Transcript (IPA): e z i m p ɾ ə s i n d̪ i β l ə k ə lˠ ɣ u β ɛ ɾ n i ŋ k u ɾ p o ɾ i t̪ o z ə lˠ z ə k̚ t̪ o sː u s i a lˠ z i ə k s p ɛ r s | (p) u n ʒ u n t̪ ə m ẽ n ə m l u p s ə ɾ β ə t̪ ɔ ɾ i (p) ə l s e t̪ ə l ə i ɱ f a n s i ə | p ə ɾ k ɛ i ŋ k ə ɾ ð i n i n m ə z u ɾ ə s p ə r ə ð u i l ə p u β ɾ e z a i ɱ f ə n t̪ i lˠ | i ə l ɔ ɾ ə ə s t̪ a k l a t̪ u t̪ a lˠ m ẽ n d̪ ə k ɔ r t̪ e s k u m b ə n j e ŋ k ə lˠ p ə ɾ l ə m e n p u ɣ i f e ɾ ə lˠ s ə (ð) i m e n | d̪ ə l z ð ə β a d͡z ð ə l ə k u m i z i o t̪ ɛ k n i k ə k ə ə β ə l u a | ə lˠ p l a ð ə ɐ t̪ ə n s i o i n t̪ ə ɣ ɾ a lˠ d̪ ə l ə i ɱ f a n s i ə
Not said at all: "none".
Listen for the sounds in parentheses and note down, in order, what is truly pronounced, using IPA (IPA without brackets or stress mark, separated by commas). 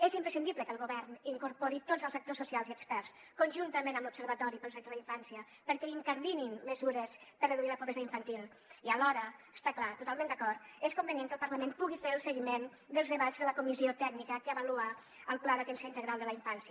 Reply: k, p, ɣ